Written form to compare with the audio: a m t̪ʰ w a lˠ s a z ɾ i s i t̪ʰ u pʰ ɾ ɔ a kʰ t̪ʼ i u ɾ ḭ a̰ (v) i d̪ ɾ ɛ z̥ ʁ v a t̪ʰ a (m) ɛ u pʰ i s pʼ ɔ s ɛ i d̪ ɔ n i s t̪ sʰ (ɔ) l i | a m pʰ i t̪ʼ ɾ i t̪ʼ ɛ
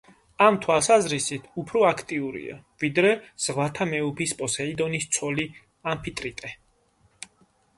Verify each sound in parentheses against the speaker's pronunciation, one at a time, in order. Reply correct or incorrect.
correct, correct, correct

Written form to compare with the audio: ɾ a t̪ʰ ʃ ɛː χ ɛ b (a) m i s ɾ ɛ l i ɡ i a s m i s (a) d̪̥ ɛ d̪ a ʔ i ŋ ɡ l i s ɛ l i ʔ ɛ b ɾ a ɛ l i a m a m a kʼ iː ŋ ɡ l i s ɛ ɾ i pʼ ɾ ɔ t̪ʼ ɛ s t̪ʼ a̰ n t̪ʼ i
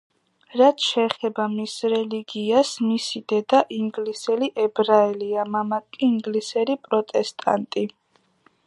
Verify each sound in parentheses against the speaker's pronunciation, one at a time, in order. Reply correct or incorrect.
correct, incorrect: i

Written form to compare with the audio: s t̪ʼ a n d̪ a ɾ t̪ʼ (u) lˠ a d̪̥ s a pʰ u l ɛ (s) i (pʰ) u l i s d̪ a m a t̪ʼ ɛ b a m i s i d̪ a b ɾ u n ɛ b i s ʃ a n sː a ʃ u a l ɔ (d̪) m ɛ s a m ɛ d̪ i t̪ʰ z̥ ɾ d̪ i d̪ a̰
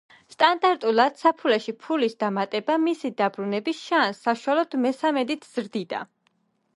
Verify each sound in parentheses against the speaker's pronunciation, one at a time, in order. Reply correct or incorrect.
correct, incorrect: ʃ, correct, correct

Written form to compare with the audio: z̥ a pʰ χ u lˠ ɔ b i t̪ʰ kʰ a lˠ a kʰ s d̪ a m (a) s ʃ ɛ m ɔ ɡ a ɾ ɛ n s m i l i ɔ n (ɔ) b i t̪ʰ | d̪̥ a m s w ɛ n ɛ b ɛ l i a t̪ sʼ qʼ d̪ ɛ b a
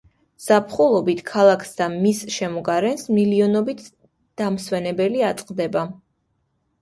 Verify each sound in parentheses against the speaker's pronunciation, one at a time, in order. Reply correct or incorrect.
incorrect: i, correct

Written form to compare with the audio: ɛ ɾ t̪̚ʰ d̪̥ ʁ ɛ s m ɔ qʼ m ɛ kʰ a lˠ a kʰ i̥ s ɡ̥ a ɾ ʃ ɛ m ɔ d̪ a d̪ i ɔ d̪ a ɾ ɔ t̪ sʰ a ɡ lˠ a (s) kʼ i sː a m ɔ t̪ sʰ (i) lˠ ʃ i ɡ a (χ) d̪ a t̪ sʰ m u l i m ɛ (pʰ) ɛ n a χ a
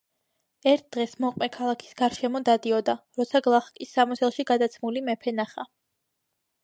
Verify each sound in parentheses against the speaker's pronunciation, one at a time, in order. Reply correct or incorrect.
incorrect: χ, incorrect: ɛ, incorrect: none, correct

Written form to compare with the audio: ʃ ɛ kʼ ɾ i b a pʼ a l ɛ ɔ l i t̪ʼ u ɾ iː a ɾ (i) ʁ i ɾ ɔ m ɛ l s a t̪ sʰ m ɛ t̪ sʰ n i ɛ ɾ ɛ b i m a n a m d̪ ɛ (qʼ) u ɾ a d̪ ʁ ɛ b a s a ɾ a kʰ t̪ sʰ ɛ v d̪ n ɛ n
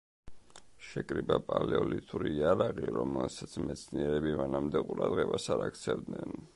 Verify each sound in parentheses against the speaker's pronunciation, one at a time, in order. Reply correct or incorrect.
incorrect: a, correct

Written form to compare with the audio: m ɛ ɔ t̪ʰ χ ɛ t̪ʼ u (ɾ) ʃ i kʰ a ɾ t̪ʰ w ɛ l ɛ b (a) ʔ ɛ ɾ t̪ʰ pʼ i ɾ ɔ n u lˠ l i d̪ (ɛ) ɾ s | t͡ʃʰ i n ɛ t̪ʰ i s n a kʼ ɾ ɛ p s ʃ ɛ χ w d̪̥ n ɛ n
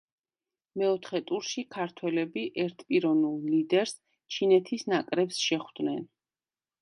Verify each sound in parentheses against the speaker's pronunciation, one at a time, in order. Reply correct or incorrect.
correct, incorrect: i, correct

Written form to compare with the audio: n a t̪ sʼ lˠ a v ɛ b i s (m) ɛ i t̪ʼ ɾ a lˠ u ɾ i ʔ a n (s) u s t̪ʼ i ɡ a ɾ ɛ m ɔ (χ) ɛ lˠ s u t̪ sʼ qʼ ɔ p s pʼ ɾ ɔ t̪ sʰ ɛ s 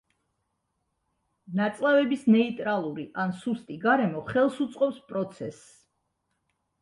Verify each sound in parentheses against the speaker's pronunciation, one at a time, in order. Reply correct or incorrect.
incorrect: n, correct, correct

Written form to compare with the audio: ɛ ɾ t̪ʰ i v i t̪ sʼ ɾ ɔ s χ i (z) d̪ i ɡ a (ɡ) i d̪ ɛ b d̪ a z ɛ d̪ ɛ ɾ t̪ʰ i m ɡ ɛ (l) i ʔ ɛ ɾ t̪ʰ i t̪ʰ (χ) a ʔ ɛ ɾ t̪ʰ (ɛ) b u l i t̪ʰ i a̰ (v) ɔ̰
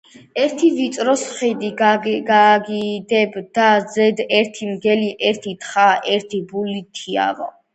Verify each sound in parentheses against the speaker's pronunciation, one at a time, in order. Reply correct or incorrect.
incorrect: none, correct, correct, correct, incorrect: i, correct

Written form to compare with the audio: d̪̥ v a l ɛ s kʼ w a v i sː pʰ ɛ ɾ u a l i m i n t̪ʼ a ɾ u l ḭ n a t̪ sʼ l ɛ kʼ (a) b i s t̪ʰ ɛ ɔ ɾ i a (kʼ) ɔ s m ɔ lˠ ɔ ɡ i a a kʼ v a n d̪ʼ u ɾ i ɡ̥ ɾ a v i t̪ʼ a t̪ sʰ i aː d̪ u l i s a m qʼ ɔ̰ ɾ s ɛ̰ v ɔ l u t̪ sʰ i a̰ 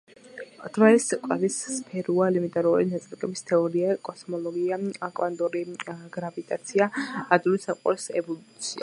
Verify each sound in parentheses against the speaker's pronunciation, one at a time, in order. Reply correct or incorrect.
incorrect: ɛ, correct

